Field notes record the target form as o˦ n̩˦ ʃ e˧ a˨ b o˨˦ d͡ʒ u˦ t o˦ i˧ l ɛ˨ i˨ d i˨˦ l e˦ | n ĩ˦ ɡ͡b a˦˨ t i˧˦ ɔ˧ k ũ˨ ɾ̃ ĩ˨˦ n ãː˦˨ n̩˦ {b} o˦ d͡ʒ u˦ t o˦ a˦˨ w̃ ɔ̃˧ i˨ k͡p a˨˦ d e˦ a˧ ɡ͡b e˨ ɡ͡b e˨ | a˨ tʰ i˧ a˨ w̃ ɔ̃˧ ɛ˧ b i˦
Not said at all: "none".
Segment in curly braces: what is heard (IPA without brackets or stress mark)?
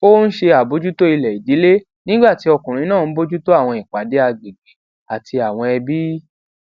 b